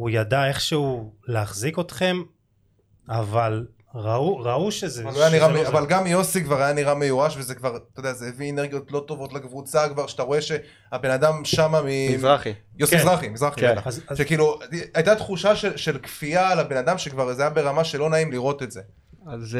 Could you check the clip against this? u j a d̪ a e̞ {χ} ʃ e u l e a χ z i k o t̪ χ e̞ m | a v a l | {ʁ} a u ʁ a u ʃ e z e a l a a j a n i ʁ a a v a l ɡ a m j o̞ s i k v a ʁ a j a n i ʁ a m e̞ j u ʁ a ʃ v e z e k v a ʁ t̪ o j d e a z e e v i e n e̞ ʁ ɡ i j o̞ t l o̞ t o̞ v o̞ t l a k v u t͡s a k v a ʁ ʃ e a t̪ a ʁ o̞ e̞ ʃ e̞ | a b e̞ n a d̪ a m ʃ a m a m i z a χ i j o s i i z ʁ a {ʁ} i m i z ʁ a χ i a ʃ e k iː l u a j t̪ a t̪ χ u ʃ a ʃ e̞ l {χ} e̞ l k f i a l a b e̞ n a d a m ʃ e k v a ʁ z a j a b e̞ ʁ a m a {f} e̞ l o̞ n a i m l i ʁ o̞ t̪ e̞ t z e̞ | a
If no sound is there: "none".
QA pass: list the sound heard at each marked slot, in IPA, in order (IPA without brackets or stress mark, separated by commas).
χ, ʁ, χ, ʃ, ʃ